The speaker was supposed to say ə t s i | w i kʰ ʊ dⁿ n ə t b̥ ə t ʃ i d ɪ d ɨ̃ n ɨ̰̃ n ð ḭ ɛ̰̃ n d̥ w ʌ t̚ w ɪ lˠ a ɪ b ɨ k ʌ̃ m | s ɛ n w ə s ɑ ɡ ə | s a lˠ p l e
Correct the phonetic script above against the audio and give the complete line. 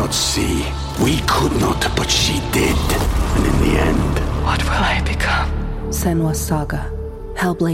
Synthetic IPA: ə t s i | w i kʰ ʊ dⁿ n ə t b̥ ʌ t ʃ i d ɪ d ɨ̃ n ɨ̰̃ n ð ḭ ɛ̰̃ n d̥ w ʌ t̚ w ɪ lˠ a ɪ b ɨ kʰ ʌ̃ m | s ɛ n w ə s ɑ ɡ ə | h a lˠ b l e